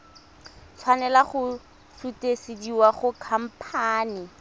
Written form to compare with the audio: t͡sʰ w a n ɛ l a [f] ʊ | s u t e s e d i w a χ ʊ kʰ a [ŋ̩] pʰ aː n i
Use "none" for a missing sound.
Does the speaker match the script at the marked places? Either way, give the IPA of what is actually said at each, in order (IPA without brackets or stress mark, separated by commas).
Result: χ, m̩